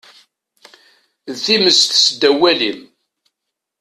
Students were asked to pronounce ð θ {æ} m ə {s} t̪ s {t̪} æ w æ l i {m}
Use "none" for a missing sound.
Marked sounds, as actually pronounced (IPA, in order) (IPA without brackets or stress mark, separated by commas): i, s, d̪, m